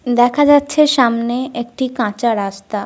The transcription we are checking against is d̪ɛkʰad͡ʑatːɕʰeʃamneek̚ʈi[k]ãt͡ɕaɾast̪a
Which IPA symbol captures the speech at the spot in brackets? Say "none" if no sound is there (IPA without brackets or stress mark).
k